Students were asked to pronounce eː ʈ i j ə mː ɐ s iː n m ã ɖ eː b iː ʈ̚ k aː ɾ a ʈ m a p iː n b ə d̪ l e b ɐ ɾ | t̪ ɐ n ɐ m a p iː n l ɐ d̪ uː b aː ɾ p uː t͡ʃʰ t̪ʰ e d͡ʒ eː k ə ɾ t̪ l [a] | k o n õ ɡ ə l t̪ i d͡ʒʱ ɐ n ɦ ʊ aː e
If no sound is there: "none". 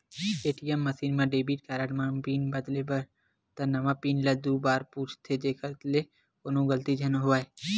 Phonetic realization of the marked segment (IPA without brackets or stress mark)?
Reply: e